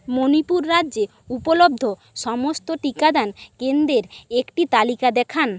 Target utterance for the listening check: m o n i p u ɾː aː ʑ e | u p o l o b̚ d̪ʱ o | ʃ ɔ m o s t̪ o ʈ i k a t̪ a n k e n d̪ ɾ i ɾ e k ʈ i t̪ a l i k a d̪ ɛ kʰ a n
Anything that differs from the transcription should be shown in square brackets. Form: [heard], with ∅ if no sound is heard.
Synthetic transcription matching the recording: m o n i p u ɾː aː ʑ e | u p o l o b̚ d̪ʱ o | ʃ ɔ m o s t̪ o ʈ i k a [d̪] a n k e n d̪ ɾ [e] ɾ e k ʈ i t̪ a l i k a d̪ ɛ kʰ a n